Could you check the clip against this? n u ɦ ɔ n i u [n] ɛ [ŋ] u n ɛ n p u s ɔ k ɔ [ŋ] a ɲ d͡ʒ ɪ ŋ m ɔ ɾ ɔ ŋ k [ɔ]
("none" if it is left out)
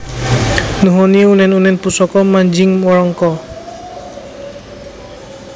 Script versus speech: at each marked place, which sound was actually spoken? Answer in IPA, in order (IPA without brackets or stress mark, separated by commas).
n, n, m, ɔ